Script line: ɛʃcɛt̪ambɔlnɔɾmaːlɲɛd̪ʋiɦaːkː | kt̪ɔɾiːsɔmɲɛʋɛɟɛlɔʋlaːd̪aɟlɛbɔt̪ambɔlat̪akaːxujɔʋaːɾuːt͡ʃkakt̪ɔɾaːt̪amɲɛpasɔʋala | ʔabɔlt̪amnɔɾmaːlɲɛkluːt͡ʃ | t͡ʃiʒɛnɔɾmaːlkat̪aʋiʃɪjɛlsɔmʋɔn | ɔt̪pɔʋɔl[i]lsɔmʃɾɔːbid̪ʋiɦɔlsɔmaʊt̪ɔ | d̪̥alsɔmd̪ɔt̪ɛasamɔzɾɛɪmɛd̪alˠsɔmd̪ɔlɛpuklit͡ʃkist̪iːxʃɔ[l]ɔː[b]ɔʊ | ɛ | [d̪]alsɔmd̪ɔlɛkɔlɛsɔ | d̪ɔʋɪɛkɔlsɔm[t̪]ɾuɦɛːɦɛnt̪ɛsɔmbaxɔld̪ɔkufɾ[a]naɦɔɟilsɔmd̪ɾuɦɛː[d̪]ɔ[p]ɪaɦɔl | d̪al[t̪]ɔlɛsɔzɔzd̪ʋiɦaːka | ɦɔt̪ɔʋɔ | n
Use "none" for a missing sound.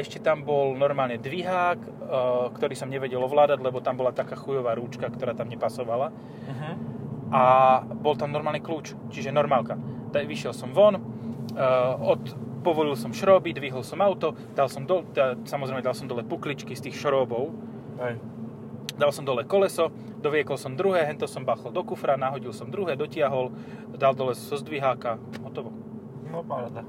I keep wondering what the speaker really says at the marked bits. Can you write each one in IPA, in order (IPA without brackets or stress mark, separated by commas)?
i, ɾ, b, d̪, d̪, a, d̪, c, d̪